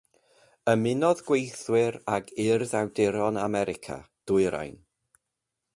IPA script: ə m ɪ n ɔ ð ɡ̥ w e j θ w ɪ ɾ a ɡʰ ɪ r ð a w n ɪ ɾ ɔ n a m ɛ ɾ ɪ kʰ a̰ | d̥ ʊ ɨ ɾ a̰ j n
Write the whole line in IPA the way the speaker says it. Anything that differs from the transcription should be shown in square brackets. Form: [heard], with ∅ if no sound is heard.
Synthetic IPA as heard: ə m ɪ n ɔ ð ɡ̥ w e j θ w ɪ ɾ a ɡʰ ɪ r ð a w [d] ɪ ɾ ɔ n a m ɛ ɾ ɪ kʰ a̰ | d̥ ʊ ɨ ɾ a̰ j n